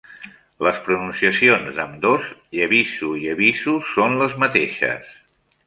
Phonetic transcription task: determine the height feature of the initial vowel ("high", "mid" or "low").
mid